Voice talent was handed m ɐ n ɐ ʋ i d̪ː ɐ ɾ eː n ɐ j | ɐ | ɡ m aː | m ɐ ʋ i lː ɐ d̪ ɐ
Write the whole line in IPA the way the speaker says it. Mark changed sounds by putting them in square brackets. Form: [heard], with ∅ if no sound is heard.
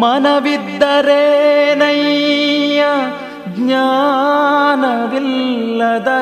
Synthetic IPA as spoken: m ɐ n ɐ ʋ i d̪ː ɐ ɾ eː n ɐ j | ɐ | ɡ [ɲ] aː | [n] ɐ ʋ i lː ɐ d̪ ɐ